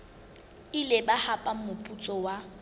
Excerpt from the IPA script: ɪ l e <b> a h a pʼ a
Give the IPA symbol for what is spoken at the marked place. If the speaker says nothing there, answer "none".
b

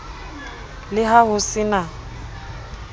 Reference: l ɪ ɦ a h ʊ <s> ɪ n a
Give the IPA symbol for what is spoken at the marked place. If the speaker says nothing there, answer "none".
s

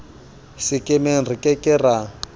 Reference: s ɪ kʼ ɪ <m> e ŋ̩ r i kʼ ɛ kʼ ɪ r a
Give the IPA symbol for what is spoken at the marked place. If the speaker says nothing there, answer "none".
m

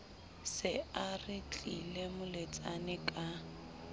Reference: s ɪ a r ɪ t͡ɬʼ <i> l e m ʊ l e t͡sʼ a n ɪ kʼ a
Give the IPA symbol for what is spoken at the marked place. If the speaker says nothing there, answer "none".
i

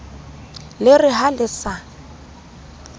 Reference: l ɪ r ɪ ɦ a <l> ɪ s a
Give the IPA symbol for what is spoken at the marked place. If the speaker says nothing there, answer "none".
l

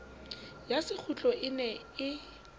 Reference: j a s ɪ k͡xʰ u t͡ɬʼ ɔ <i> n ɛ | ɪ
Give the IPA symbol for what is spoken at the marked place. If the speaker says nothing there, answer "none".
ɪ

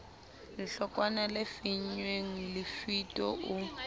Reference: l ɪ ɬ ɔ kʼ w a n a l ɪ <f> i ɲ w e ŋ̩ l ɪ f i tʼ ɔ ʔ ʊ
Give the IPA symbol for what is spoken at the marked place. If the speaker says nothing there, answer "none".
f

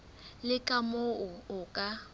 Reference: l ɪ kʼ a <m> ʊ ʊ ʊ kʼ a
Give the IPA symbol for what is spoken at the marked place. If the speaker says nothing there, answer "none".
m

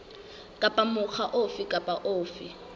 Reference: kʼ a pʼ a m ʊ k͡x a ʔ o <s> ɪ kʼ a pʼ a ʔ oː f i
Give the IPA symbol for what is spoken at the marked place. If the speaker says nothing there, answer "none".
f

